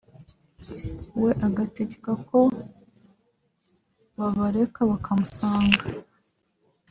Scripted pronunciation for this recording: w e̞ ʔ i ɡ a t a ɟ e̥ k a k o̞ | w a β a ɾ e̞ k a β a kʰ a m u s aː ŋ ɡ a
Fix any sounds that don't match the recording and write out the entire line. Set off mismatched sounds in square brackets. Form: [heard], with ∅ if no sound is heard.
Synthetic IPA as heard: w e̞ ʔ [a] ɡ a t [e] ɟ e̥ k a k o̞ | [β] a β a ɾ e̞ k a β a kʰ a m u s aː ŋ ɡ a